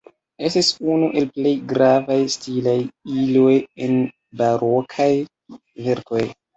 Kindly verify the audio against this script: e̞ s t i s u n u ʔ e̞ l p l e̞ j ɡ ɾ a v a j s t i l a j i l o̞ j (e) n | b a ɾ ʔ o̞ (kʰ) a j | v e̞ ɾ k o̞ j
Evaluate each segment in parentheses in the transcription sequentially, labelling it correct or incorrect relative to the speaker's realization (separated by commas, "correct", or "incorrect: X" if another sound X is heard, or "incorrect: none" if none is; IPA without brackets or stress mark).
correct, correct